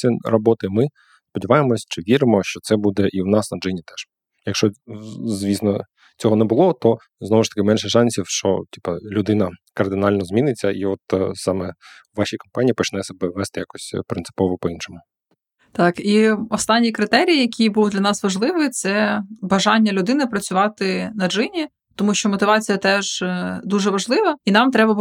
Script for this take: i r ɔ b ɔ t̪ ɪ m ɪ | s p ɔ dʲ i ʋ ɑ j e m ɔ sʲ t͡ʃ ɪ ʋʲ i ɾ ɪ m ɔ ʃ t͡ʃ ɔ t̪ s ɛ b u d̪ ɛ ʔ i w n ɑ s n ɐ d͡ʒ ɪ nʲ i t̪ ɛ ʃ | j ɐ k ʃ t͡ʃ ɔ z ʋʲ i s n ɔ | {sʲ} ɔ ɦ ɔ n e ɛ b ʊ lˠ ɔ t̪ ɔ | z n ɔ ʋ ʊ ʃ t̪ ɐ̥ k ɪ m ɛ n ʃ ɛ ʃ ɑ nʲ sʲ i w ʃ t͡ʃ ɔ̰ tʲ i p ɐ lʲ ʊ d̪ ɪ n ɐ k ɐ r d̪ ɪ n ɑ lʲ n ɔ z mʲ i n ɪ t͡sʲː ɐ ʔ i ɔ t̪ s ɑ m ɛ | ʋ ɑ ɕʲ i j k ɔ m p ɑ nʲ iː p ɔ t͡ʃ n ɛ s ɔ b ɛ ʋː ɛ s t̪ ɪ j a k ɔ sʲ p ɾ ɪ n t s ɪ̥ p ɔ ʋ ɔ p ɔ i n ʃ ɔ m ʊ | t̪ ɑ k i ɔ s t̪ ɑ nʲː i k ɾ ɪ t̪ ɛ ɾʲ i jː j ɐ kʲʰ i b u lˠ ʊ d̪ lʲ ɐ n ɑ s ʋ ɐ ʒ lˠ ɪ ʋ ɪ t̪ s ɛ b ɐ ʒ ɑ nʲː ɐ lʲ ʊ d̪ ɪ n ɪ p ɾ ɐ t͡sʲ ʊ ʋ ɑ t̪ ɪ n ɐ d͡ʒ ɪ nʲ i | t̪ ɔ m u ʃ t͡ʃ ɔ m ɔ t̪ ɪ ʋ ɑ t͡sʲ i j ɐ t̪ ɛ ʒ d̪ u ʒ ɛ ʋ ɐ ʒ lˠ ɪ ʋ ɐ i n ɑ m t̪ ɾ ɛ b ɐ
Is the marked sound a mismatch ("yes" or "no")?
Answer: yes